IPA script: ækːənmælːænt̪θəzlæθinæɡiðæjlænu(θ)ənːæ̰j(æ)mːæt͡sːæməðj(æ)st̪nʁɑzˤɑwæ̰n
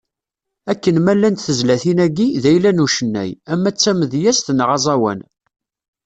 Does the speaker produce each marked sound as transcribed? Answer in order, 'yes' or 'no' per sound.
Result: no, yes, yes

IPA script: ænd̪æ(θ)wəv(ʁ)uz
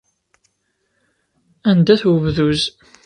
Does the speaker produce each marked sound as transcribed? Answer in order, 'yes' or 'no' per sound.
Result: yes, no

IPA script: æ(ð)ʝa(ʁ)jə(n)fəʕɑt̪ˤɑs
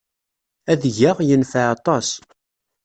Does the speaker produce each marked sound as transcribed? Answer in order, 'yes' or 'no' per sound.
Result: yes, yes, yes

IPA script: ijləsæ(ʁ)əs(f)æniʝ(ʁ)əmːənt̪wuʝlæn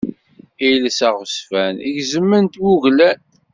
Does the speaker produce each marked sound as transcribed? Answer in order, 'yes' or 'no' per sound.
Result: yes, yes, no

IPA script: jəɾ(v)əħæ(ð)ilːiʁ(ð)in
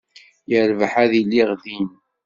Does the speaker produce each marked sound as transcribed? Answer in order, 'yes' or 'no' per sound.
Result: yes, yes, yes

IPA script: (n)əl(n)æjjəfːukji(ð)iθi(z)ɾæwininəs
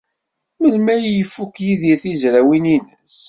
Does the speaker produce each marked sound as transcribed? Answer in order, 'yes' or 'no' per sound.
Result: no, no, yes, yes

